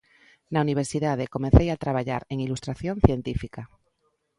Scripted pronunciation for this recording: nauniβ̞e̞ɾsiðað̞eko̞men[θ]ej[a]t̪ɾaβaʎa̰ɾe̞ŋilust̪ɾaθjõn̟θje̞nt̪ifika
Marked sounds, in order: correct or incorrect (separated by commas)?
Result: correct, correct